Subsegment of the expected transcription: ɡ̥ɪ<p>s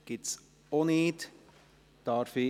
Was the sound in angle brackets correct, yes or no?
no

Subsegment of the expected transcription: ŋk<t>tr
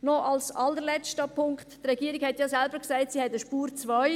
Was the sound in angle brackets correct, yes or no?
yes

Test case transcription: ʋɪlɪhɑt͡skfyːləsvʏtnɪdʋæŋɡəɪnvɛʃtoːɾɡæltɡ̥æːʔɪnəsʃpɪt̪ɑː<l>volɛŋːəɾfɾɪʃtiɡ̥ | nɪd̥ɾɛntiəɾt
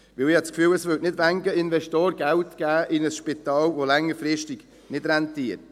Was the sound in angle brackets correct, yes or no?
yes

